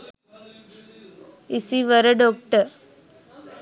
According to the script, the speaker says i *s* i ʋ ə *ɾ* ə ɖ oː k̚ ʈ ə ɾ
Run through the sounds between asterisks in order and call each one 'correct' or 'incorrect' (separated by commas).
correct, correct